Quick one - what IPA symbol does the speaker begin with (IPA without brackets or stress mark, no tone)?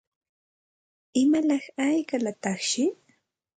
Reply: ɪ